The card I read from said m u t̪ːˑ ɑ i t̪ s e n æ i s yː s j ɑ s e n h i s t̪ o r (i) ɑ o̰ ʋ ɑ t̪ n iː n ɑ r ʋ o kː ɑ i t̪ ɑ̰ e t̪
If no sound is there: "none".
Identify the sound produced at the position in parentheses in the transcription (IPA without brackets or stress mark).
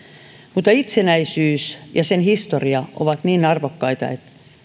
i